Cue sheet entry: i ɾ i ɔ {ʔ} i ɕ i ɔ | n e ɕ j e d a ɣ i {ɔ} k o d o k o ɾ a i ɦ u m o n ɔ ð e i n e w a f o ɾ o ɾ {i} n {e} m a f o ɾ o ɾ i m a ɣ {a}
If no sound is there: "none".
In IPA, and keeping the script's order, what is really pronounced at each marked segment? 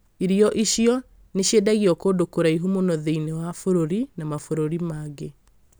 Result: ʔ, ɔ, i, a, e

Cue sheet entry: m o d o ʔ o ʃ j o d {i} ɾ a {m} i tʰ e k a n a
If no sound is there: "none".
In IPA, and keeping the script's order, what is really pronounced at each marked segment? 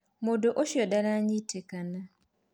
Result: a, ɲ

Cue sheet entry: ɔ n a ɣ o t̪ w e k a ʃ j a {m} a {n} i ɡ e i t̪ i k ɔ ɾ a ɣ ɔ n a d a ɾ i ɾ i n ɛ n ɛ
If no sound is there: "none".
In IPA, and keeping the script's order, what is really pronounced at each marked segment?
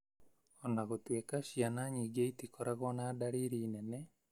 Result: n, ɲ

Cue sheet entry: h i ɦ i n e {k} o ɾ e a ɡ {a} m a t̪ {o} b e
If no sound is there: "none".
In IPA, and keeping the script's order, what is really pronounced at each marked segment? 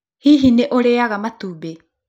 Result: ʔ, a, u

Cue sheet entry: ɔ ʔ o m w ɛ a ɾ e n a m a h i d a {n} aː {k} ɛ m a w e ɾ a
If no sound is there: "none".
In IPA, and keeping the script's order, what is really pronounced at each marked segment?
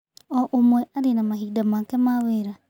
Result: m, k

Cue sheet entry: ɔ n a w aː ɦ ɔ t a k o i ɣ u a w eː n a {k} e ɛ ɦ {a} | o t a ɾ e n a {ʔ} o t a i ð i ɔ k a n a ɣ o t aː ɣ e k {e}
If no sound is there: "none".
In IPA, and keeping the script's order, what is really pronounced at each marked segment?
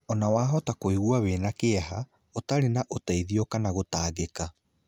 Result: k, a, ʔ, a

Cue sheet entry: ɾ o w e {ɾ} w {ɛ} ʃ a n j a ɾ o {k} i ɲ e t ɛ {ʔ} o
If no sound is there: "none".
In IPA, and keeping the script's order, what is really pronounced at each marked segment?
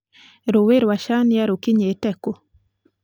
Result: ɾ, a, k, k

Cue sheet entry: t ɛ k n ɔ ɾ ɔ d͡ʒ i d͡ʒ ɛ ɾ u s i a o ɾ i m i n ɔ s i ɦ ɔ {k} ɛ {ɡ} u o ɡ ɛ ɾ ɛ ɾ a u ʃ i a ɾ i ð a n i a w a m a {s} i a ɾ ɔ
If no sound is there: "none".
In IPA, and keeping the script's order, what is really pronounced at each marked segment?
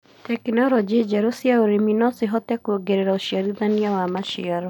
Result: t, k, ʃ

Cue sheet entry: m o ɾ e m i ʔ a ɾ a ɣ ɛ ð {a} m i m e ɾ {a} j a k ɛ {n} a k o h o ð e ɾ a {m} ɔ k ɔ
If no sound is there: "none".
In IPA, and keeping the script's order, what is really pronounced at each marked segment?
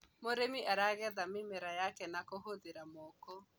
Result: a, a, n, m

